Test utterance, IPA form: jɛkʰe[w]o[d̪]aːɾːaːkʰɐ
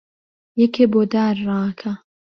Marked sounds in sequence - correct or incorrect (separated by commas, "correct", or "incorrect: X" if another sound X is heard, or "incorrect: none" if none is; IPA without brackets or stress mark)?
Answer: incorrect: b, correct